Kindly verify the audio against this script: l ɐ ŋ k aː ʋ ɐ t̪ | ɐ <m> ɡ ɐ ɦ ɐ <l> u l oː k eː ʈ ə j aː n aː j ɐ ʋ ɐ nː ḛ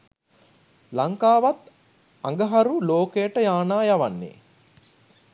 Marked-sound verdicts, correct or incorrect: incorrect: ŋ, incorrect: ɾ

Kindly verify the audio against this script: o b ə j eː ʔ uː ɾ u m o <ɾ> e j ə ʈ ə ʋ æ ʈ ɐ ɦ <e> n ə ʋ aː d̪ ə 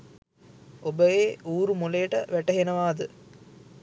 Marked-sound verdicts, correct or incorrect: incorrect: l, correct

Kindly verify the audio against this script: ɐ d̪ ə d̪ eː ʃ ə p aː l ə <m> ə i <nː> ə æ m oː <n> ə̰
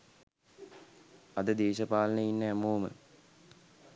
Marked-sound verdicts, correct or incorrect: incorrect: n, correct, incorrect: m

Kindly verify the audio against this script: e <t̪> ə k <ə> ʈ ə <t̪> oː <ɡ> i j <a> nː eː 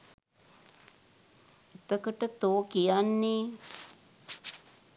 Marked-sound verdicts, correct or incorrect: correct, correct, correct, incorrect: k, correct

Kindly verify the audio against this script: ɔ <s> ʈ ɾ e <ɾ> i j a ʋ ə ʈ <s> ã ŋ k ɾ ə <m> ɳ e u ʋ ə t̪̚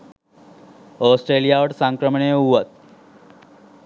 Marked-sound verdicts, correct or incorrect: correct, incorrect: l, correct, correct

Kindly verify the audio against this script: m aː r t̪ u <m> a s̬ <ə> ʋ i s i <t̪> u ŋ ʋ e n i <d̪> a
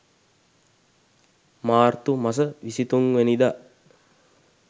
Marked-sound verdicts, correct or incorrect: correct, correct, correct, correct

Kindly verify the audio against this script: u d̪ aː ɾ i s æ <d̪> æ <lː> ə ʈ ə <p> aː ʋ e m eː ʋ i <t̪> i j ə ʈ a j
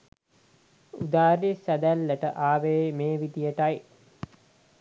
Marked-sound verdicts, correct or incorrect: correct, correct, incorrect: ʔ, incorrect: d̪

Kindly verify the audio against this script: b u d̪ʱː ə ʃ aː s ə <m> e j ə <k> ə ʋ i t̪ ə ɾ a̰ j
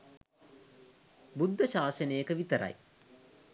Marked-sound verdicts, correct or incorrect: incorrect: n, correct

